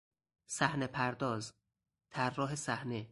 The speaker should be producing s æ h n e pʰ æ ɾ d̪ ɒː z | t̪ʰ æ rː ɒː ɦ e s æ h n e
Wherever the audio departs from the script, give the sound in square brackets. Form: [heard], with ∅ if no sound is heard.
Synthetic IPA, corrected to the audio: s æ h n e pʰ æ ɾ d̪ ɒː z | t̪ʰ æ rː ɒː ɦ e s æ h n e